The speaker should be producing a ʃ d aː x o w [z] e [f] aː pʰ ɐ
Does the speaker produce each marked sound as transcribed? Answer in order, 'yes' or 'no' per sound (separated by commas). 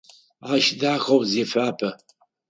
yes, yes